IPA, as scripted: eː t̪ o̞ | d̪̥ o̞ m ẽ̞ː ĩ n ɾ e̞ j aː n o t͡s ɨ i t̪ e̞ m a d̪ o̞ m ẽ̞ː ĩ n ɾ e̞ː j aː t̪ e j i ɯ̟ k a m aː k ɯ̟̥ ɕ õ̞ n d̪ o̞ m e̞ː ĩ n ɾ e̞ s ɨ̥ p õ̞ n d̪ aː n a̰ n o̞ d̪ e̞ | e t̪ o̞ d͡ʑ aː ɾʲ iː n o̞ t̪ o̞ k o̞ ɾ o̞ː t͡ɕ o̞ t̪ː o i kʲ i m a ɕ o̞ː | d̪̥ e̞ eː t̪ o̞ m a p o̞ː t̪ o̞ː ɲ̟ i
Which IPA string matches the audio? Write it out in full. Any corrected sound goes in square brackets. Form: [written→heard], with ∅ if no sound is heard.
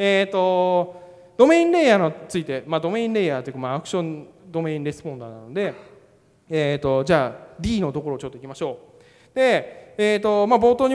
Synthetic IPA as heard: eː t̪ o̞ | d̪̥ o̞ m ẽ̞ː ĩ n ɾ e̞ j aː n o t͡s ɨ i t̪ e̞ m a d̪ o̞ m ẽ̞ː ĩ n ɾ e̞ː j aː t̪ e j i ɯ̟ k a m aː k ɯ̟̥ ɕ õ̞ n d̪ o̞ m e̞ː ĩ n ɾ e̞ s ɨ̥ p õ̞ n d̪ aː n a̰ n o̞ d̪ e̞ | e t̪ o̞ d͡ʑ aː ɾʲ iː n o̞ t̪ o̞ k o̞ ɾ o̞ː t͡ɕ o̞ t̪ː o i kʲ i m a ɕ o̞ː | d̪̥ e̞ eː t̪ o̞ m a [p→b] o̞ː t̪ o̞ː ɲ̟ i